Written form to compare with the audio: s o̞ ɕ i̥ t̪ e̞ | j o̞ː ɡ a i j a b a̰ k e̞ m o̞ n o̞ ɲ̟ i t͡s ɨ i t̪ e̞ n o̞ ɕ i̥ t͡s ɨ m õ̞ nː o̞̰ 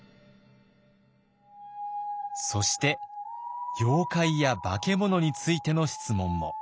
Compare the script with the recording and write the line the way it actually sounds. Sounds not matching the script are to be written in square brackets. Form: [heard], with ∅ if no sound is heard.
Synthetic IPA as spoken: s o̞ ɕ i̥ t̪ e̞ | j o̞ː [k] a i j a b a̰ k e̞ m o̞ n o̞ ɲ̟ i t͡s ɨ i t̪ e̞ n o̞ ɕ i̥ t͡s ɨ m õ̞ [mː] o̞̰